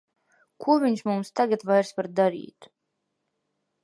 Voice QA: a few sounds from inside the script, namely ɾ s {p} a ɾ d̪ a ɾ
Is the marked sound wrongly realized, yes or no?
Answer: no